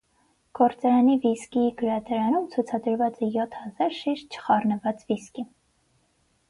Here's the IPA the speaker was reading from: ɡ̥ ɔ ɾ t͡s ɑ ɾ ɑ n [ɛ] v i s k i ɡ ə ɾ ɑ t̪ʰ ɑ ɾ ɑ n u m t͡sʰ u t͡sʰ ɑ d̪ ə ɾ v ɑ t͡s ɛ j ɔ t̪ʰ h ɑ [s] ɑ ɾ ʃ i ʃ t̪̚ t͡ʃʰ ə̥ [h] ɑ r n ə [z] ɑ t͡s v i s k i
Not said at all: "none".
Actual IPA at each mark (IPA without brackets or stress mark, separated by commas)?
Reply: i, z, χ, v